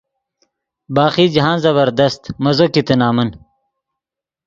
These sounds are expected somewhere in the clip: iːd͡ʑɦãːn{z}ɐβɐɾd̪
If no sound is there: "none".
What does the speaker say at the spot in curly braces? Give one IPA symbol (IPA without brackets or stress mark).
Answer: z